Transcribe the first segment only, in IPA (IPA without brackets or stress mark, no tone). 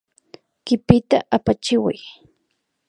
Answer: k